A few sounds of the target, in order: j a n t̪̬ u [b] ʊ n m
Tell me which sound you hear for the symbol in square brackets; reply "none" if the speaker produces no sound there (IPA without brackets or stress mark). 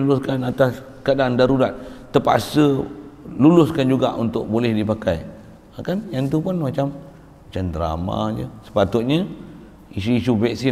p